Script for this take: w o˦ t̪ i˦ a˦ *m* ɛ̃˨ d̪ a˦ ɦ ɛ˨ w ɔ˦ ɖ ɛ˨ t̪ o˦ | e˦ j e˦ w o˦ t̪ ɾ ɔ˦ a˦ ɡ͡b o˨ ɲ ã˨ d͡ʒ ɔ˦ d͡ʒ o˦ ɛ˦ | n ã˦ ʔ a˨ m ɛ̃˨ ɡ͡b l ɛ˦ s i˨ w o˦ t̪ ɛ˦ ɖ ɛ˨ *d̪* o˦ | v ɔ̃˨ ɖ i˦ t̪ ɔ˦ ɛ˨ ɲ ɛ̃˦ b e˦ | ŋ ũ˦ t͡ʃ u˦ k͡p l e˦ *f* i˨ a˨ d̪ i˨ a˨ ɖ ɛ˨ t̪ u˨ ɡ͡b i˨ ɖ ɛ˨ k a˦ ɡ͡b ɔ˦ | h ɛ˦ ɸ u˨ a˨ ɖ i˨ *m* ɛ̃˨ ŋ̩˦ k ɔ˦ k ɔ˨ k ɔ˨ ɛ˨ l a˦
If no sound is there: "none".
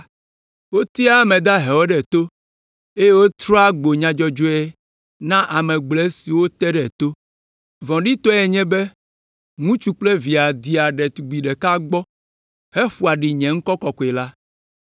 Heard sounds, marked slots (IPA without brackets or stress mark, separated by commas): m, t̪, v, ɲ